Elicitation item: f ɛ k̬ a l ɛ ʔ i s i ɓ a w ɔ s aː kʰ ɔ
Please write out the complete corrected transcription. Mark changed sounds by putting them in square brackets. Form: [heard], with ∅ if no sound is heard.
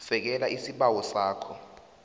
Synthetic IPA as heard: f ɛ k̬ [ɛ] l [a] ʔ i s i ɓ a w ɔ s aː kʰ ɔ